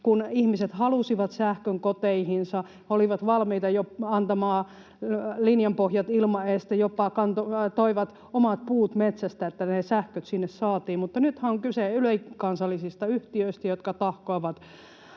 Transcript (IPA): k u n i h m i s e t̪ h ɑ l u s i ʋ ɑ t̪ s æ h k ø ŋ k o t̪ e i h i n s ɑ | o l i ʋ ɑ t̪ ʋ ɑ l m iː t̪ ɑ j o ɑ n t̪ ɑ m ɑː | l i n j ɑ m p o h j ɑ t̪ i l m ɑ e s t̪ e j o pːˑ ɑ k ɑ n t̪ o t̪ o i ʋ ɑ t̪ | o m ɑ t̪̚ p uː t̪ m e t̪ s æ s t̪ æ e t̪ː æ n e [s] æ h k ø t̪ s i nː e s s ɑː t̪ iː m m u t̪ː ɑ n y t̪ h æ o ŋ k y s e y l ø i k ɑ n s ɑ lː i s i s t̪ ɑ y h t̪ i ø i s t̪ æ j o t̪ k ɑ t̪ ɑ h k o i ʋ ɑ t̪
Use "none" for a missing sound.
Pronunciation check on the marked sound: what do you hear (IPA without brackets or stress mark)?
s